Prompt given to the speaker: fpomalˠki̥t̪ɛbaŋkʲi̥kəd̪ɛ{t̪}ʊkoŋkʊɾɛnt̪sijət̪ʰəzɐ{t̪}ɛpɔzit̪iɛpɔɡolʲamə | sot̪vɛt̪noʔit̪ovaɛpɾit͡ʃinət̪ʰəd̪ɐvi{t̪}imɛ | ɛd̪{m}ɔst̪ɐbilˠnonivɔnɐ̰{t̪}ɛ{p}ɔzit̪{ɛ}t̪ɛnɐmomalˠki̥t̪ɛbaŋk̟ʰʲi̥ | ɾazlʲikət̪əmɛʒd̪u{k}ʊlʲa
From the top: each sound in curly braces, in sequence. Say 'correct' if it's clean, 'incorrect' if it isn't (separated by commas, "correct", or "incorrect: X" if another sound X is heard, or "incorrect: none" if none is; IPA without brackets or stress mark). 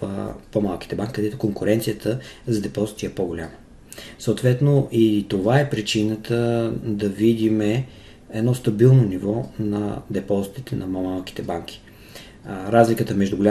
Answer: correct, incorrect: d̪, incorrect: d̪, incorrect: n, incorrect: d̪, correct, incorrect: i, incorrect: ɡ